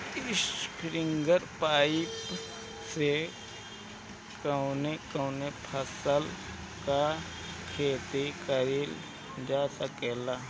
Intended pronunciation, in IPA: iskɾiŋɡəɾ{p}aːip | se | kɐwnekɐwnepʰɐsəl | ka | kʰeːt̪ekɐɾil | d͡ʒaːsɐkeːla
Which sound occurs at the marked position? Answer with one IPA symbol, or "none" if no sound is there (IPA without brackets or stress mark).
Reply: p